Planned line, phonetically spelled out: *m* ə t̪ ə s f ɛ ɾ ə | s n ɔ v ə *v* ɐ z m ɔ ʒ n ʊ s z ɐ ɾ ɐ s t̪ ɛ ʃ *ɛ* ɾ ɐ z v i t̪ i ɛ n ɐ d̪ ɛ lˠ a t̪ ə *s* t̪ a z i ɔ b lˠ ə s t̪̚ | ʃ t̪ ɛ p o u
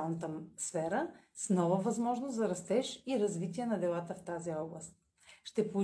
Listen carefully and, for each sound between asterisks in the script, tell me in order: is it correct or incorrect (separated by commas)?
incorrect, correct, incorrect, incorrect